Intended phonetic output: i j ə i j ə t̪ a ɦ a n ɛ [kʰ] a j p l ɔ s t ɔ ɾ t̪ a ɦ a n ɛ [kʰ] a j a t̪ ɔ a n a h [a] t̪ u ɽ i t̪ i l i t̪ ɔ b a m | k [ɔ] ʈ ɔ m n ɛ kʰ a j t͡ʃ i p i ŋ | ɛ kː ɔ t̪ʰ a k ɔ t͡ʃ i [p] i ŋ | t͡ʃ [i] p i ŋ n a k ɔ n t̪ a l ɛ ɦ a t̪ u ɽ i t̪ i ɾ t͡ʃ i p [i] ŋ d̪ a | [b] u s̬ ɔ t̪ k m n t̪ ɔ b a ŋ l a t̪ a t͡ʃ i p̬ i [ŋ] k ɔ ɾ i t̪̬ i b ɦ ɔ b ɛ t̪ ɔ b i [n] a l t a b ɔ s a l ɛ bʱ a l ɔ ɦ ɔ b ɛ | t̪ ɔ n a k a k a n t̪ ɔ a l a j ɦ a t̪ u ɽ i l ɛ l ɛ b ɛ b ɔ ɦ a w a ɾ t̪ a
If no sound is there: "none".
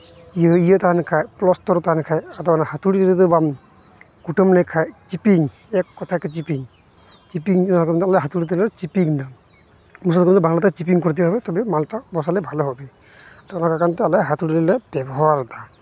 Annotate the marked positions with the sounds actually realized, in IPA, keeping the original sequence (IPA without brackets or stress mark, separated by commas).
kʰ, kʰ, a, u, p, i, i, m, ŋ, m